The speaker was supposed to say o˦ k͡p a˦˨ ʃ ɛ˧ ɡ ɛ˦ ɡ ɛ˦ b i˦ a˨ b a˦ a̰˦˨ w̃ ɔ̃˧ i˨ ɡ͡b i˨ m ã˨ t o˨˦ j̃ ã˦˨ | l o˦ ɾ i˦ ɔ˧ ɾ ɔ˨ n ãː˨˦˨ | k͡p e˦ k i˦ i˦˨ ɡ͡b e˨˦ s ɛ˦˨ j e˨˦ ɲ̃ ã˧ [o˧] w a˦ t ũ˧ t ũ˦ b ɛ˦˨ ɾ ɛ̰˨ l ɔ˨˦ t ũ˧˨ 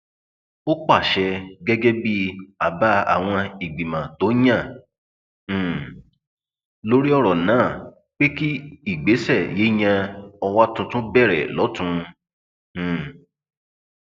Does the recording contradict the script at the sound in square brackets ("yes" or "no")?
yes